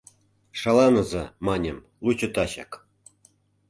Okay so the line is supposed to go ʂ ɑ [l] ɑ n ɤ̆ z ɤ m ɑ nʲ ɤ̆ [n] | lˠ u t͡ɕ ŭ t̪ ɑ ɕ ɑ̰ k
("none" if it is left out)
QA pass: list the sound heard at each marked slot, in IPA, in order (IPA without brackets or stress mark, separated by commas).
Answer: l, m